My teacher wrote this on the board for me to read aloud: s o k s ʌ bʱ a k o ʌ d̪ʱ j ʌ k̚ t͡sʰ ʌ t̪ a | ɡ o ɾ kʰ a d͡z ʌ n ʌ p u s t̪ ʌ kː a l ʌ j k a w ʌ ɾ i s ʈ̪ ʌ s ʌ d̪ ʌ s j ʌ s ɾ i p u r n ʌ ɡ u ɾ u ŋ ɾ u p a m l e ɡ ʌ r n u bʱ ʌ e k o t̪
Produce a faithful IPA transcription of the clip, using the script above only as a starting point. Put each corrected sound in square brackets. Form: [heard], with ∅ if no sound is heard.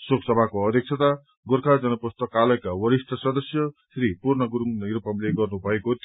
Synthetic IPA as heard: s o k s ʌ bʱ a k o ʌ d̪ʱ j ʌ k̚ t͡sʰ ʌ t̪ a | ɡ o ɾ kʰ a d͡z ʌ n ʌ p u s t̪ ʌ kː a l ʌ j k a w ʌ ɾ i s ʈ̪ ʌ s ʌ d̪ ʌ s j ʌ s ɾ i p u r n ʌ ɡ u ɾ u ŋ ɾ u p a m l e ɡ ʌ r n u bʱ ʌ e k o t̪